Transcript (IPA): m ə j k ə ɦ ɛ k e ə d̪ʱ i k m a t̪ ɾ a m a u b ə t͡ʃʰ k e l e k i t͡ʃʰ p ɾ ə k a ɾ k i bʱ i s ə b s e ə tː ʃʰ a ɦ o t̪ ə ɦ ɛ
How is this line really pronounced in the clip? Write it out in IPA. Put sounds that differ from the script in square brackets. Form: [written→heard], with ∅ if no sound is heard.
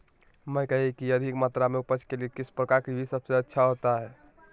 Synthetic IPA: m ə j k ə ɦ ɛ k [e→i] ə d̪ʱ i k m a t̪ ɾ a m [a→e] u [b→p] ə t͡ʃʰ k e l e k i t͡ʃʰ p ɾ ə k a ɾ k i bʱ i s ə b s e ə tː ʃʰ a ɦ o t̪ [ə→a] ɦ ɛ